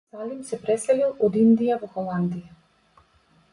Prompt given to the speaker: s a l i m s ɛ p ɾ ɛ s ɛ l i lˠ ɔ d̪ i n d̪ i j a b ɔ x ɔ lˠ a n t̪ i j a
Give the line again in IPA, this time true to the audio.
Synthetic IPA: s a l i m s ɛ p ɾ ɛ s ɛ l i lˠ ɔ d̪ i n d̪ i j a v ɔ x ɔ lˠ a n d̪ i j a